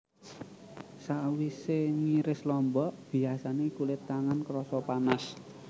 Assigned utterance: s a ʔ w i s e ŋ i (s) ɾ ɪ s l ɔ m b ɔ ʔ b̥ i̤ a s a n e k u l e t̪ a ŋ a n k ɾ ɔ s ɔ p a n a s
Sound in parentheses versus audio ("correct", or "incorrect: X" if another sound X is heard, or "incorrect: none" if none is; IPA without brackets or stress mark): incorrect: none